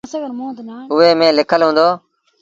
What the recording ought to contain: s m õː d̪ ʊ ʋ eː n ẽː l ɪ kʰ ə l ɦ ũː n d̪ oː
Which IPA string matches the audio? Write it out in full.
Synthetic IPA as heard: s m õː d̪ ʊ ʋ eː m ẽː l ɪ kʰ ə l ɦ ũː n d̪ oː

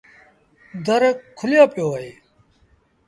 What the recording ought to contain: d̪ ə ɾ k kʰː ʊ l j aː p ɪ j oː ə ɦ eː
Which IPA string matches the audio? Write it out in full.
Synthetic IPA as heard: d̪ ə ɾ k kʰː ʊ l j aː p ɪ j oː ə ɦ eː

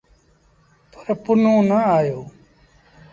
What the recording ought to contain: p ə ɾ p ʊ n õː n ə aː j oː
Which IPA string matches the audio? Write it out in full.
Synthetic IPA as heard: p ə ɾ p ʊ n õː n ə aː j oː

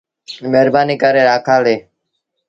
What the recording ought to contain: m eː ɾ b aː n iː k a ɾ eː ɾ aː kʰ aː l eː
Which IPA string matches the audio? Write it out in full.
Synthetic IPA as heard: m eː ɾ b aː n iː k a ɾ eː ɾ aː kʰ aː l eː

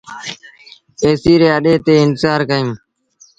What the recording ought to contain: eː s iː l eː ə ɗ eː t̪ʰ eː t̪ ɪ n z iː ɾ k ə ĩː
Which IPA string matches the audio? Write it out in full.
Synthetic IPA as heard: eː s iː ɾ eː ə ɗ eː t̪ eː ɪ n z aː ɾ k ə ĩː

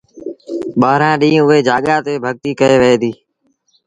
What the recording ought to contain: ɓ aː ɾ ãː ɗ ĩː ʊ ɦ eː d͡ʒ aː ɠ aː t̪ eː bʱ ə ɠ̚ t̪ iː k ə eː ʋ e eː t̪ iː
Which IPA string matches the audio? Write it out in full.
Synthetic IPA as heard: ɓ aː ɾ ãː ɗ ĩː ʊ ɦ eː d͡ʒ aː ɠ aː t̪ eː bʱ ə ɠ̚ t̪ iː k ə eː ʋ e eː d̪ iː

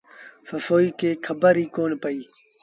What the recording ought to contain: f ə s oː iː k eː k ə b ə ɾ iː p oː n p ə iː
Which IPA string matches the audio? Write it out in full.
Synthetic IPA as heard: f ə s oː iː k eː kʰ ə b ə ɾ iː k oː n p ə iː

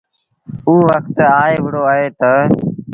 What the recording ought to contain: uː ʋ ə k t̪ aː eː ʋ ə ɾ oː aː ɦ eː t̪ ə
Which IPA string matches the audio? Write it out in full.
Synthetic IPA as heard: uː ʋ ə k t̪ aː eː ʋ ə ɽ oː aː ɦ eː t̪ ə

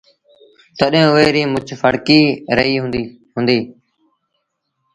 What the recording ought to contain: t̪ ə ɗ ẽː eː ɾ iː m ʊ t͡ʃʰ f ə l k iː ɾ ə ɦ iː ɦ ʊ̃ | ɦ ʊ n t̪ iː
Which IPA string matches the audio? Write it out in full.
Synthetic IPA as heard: t̪ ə ɗ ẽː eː ɾ iː m ʊ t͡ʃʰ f ə ɽ k iː ɾ ə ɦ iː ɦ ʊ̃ | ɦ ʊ n d̪ iː

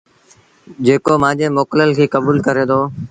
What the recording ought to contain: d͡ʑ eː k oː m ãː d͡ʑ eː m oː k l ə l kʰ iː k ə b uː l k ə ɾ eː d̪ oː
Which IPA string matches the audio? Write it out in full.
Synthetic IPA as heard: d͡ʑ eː k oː m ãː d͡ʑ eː m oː k l ə l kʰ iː k ə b uː l k ə ɾ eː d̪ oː

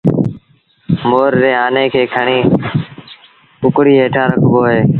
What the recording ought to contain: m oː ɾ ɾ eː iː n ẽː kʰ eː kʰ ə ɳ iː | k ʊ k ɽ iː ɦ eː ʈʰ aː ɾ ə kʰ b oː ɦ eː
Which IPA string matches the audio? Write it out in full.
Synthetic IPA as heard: m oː ɾ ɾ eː aː n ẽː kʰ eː kʰ ə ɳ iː | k ʊ k ɽ iː ɦ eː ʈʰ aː ɾ ə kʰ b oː ɦ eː

